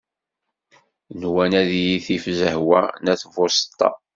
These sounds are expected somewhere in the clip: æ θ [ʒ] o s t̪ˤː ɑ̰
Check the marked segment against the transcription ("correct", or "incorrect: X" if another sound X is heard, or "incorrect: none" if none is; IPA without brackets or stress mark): incorrect: v